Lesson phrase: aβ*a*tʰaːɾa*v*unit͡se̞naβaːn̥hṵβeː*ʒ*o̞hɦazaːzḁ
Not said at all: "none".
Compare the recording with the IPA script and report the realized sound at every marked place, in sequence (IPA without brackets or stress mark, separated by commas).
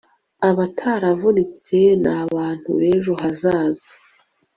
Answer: a, v, ʒ